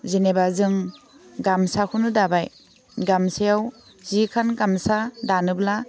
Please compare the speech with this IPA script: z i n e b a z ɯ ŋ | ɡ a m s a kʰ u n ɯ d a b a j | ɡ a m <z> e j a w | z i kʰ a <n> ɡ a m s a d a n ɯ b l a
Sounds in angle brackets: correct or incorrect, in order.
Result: incorrect: s, correct

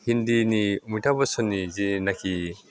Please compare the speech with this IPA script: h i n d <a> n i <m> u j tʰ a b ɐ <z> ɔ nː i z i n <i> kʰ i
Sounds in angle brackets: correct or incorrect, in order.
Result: incorrect: i, correct, incorrect: s, incorrect: a

